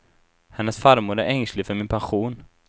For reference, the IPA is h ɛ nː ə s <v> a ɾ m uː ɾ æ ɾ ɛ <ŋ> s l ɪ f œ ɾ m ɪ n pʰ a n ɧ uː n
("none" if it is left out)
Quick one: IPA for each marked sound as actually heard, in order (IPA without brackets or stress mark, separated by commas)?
f, ŋ